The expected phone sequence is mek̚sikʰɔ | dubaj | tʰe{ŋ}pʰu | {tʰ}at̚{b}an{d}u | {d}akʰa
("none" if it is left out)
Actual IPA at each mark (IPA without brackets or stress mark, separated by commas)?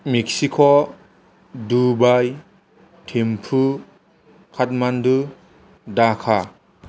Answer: m, kʰ, m, d, d